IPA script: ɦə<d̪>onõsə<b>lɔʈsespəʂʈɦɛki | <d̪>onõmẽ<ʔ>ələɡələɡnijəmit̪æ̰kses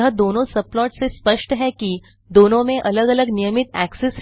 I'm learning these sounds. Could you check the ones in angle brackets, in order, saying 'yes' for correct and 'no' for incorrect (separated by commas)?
yes, no, yes, yes